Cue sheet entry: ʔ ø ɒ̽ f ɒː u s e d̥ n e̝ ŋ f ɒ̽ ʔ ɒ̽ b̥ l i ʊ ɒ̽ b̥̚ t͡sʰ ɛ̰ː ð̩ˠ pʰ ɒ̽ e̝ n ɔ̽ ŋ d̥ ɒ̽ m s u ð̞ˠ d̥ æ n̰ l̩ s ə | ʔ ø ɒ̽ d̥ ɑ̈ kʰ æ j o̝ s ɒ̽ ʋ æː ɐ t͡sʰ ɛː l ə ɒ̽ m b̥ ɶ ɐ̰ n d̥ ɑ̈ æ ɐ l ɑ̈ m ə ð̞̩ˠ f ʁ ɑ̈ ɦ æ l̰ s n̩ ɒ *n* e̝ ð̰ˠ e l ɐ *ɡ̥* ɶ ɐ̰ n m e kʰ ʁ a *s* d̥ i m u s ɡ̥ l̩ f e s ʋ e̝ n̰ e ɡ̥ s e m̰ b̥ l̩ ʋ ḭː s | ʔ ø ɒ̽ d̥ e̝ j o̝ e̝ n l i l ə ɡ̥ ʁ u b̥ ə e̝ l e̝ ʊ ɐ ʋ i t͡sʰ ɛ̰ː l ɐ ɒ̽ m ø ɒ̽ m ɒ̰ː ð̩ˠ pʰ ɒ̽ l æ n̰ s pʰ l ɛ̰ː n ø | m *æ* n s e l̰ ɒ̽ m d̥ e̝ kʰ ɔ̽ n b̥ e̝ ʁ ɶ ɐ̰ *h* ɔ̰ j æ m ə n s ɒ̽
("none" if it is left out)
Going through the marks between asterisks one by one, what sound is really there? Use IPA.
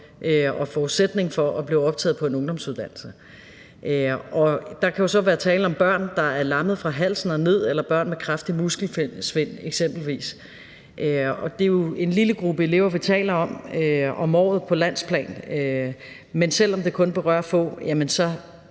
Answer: n, b̥, f, e, f

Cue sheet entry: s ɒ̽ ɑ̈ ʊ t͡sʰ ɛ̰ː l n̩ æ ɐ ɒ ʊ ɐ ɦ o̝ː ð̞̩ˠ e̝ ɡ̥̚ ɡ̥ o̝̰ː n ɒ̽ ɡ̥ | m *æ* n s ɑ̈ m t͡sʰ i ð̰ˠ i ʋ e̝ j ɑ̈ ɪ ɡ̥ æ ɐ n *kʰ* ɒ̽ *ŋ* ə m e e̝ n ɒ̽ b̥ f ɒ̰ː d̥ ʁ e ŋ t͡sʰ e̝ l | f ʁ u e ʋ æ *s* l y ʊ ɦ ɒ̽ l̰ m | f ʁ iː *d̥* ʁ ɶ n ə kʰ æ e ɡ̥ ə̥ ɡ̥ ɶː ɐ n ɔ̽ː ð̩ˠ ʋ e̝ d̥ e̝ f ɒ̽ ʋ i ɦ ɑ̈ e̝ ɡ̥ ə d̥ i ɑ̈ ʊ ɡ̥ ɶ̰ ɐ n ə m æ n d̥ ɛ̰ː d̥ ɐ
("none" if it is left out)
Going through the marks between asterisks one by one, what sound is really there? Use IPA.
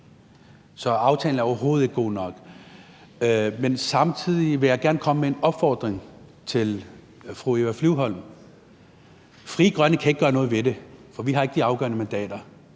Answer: e, kʰ, m, f, ɡ̥

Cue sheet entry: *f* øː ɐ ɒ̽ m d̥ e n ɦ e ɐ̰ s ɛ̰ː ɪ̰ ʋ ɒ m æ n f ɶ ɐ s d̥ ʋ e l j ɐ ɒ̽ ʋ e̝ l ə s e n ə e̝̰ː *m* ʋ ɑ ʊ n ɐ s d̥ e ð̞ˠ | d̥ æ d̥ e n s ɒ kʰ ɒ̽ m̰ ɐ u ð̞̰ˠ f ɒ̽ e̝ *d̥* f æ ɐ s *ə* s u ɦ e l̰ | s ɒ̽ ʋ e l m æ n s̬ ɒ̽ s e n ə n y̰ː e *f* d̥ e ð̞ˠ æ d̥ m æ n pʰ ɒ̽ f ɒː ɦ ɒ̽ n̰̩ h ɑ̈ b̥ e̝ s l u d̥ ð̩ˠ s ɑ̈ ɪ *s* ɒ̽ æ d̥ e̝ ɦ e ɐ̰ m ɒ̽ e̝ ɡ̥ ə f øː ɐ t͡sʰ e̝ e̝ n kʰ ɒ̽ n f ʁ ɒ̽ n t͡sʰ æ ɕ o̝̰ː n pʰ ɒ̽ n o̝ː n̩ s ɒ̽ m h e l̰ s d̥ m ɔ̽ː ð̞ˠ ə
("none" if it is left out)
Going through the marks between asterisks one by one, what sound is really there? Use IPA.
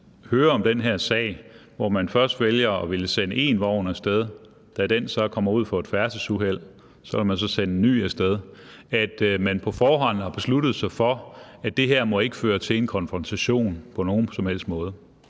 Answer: h, n, d̥, ə, s, f

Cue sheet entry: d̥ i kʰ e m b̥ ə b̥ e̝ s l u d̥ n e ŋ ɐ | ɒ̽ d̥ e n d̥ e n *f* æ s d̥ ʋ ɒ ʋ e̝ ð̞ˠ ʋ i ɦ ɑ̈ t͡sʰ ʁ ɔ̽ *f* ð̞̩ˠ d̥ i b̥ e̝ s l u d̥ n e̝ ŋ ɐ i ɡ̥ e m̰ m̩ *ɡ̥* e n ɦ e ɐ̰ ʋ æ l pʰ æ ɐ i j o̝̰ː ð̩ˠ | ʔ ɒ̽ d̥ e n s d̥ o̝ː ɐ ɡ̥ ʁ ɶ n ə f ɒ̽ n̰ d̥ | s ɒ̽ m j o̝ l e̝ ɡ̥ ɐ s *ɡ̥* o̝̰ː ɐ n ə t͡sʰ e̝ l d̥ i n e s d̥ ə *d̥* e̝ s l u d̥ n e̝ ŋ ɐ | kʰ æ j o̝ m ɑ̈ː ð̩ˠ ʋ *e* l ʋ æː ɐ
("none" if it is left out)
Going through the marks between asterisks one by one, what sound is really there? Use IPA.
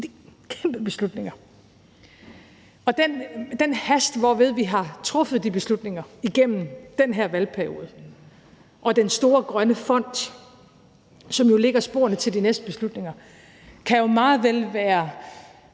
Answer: h, f, d̥, b̥, b̥, e

